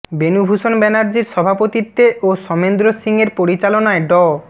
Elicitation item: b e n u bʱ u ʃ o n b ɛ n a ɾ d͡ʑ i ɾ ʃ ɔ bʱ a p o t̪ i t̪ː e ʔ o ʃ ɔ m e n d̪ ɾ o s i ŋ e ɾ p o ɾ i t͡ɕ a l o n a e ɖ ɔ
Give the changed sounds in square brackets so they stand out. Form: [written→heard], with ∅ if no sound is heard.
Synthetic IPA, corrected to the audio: b e n u bʱ u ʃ o n b ɛ n a ɾ d͡ʑ i ɾ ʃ ɔ bʱ a p o t̪ i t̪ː e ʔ o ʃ ɔ m e n d̪ ɾ o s i ŋ e ɾ p o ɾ i t͡ɕ a l o n a e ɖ ɔ